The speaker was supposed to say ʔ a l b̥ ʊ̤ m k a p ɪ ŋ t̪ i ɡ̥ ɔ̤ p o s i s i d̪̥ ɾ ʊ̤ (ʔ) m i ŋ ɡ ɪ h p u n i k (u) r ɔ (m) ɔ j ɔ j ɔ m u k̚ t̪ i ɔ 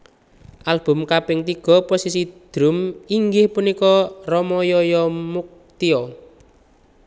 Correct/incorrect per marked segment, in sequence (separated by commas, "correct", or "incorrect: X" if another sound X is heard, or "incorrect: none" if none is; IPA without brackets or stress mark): incorrect: none, incorrect: ɔ, correct